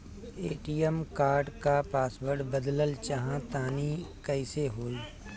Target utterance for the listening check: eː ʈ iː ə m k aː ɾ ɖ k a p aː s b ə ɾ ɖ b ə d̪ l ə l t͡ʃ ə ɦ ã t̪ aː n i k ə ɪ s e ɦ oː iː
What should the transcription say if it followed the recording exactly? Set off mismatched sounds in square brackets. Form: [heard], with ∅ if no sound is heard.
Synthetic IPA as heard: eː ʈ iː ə m k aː ɾ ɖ k a p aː s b ə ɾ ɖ b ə d̪ l ə l t͡ʃ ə ɦ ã t̪ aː n i k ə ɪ s e ɦ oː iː